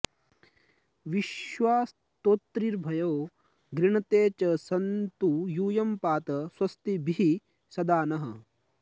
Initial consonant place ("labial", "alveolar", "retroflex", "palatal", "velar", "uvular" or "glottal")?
labial